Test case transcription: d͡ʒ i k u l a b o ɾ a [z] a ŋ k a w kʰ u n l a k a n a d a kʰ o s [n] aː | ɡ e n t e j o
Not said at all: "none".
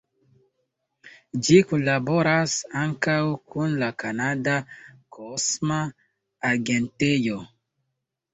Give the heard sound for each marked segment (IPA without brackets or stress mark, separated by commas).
s, m